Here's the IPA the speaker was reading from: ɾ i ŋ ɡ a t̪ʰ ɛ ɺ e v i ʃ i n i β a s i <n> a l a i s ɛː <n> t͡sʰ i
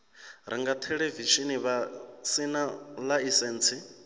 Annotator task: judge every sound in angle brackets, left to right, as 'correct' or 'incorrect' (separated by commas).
correct, correct